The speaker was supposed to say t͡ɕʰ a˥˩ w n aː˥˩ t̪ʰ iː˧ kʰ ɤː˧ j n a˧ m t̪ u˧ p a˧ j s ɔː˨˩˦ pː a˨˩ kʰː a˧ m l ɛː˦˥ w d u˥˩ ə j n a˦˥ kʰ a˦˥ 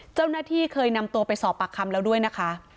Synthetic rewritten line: t͡ɕ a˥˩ w n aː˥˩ t̪ʰ iː˥˩ kʰ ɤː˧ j n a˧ m t̪ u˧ p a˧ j s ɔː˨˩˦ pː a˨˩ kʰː a˧ m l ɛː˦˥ w d u˥˩ ə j n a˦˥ kʰ a˦˥